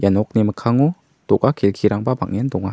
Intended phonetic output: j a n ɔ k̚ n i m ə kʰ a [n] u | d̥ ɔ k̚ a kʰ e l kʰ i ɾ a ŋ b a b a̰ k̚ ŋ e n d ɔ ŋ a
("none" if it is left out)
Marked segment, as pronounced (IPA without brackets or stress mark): ŋ